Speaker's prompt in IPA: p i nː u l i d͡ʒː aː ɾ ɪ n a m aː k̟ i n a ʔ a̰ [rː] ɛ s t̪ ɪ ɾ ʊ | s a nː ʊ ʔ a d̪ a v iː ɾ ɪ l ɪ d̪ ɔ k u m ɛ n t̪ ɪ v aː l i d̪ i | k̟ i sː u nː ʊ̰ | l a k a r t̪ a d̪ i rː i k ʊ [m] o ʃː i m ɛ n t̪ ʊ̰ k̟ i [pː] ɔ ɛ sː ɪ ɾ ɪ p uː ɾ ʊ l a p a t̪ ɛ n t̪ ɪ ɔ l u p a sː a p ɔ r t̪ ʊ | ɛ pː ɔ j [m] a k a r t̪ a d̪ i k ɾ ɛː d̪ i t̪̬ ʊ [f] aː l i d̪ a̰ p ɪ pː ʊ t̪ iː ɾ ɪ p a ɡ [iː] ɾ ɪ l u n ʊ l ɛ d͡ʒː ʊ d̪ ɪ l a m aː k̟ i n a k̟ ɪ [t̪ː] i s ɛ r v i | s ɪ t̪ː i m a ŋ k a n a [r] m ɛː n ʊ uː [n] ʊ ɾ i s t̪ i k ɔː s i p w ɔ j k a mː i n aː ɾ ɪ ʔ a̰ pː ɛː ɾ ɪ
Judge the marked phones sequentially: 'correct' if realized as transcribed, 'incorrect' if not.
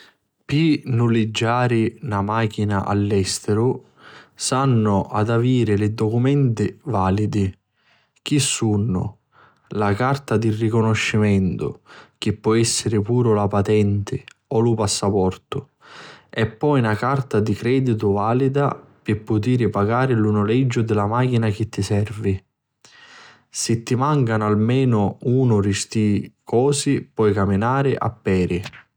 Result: incorrect, incorrect, correct, incorrect, incorrect, incorrect, correct, incorrect, correct

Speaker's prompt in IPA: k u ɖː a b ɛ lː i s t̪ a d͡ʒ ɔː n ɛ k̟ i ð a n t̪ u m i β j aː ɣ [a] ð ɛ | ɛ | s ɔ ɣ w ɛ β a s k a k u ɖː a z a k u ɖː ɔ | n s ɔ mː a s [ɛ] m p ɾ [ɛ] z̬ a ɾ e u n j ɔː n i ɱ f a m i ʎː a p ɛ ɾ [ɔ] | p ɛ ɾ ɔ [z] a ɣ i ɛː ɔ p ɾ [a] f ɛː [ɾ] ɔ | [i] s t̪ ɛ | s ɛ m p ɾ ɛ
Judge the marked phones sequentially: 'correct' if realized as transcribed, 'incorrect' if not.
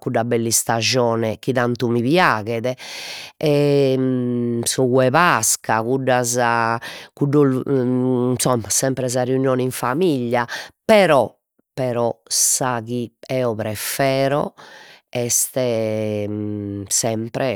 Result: incorrect, correct, correct, correct, incorrect, incorrect, correct, incorrect

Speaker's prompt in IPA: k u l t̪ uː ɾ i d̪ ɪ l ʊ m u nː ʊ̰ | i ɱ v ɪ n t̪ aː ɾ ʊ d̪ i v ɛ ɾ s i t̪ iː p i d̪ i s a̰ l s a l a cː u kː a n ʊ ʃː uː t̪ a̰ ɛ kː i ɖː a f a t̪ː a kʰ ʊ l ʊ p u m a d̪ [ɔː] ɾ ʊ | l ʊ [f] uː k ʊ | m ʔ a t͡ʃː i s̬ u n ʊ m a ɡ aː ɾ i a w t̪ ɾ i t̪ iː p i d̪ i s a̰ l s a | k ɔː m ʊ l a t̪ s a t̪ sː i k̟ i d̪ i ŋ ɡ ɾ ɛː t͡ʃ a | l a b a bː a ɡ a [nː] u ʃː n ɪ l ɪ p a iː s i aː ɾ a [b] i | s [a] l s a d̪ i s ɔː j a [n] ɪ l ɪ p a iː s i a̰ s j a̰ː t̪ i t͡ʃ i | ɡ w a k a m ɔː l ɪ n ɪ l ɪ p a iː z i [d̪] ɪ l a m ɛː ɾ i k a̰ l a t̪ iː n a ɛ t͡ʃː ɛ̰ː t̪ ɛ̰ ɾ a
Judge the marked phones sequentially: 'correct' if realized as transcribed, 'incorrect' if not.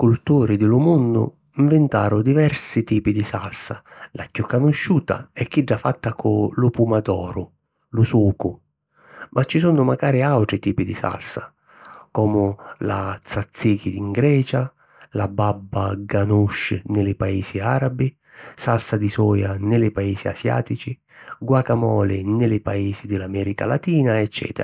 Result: correct, incorrect, incorrect, correct, correct, correct, correct

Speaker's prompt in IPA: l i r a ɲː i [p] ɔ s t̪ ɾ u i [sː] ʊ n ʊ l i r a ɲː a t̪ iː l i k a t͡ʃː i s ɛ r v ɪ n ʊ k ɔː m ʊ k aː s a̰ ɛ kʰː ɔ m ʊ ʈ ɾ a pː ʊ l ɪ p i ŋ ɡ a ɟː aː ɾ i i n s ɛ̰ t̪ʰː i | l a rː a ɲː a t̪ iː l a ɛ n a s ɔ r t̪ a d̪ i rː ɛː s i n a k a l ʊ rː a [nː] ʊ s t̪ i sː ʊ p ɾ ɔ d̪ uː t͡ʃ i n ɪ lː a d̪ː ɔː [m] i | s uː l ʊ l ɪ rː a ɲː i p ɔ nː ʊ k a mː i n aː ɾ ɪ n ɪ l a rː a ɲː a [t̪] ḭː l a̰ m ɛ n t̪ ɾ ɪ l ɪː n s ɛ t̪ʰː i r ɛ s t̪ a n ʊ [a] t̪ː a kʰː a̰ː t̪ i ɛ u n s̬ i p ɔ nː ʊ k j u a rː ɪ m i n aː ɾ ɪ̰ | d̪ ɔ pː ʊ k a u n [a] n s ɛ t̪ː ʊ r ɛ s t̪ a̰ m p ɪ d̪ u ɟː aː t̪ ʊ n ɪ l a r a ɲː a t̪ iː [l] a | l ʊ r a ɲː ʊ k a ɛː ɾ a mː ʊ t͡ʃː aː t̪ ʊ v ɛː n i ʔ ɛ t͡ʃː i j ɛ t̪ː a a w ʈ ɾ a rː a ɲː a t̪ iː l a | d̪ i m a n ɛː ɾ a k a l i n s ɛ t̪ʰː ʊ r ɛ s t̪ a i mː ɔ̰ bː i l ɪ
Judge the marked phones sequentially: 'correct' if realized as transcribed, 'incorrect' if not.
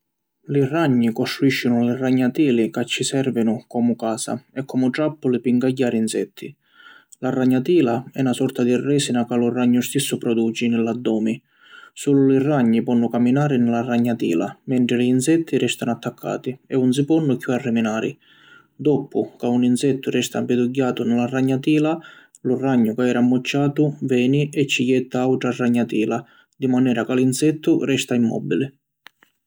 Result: incorrect, incorrect, incorrect, correct, correct, correct, incorrect, correct

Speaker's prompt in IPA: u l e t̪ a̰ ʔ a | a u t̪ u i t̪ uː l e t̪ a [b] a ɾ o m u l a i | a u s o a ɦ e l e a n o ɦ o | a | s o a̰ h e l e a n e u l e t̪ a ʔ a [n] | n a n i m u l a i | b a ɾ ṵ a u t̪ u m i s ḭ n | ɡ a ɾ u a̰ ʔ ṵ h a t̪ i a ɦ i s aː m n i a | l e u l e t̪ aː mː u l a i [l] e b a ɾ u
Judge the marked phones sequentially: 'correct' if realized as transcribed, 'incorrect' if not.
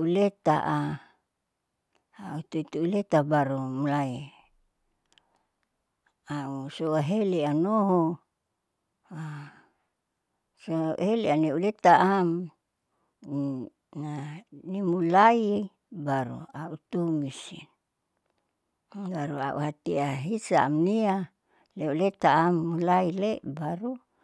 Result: correct, incorrect, correct

